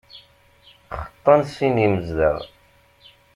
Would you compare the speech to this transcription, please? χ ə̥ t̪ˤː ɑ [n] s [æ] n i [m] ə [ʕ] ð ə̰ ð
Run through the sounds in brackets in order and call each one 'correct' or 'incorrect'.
correct, incorrect: i, correct, incorrect: z

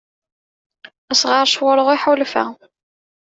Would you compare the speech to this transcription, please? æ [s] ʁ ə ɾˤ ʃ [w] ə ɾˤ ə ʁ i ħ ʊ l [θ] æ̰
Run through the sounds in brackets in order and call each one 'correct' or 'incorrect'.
correct, correct, incorrect: f

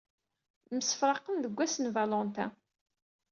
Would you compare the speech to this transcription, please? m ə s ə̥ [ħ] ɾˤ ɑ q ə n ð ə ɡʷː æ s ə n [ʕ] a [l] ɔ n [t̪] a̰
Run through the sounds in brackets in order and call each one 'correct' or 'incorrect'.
incorrect: f, incorrect: v, correct, correct

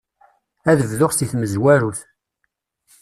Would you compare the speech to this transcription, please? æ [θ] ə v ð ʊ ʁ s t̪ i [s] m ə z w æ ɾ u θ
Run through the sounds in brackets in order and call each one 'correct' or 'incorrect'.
incorrect: ð, incorrect: θ

